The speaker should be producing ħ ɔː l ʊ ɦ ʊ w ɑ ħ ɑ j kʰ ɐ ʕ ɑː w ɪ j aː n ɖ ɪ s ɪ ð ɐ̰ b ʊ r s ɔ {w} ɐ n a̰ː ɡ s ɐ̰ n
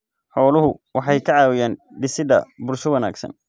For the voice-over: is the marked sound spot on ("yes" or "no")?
yes